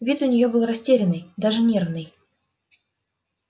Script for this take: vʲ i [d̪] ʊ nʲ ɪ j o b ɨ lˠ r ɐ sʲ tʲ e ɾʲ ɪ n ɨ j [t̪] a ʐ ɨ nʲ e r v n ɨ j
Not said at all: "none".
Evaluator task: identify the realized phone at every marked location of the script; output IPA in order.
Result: t̪, d̪

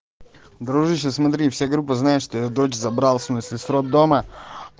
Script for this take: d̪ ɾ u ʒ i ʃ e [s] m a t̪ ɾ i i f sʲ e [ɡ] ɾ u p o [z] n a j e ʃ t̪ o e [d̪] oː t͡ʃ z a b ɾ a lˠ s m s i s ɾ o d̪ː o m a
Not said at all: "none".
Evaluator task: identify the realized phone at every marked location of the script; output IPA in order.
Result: s, ɡ, z, d̪

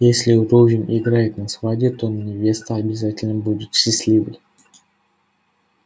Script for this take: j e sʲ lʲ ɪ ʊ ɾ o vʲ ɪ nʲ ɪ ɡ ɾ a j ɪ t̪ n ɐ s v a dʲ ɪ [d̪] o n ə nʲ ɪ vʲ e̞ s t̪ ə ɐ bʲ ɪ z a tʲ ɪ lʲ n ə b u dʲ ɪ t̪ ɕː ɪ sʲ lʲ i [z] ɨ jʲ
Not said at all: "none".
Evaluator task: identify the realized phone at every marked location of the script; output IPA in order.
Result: t̪, v

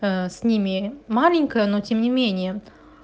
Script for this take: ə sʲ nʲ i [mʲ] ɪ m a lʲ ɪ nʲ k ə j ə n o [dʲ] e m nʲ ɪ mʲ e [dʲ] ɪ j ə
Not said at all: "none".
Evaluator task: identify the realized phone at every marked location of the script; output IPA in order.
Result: mʲ, tʲ, nʲ

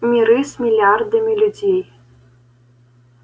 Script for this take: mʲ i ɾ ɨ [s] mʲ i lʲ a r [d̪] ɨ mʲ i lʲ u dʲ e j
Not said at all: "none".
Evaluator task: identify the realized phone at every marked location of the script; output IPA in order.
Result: s, d̪

